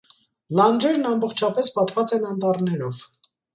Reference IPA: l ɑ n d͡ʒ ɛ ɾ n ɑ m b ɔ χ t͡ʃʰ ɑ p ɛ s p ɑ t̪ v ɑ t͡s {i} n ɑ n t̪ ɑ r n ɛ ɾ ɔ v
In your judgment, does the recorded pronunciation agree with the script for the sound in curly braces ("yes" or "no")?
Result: no